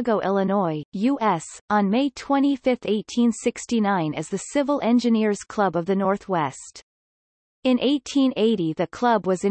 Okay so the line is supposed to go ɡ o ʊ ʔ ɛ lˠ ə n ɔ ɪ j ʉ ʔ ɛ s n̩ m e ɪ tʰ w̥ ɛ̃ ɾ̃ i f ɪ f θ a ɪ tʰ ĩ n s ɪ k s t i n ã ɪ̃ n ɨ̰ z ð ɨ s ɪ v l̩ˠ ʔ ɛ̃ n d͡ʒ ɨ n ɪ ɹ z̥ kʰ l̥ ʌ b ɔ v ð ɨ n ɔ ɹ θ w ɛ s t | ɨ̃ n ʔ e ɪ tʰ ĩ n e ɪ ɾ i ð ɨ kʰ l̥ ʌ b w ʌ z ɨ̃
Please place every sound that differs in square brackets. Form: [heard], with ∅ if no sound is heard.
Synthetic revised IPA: ɡ o ʊ ʔ ɛ lˠ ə n ɔ ɪ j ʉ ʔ ɛ s n̩ m e ɪ tʰ w̥ ɛ̃ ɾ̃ i f ɪ f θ [e] ɪ tʰ ĩ n s ɪ k s t i n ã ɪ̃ n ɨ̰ z ð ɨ s ɪ v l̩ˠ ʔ ɛ̃ n d͡ʒ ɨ n ɪ ɹ z̥ kʰ l̥ ʌ b [ʌ] v ð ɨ n ɔ ɹ θ w ɛ s t | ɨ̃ n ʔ e ɪ tʰ ĩ n e ɪ ɾ i ð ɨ kʰ l̥ ʌ b w ʌ z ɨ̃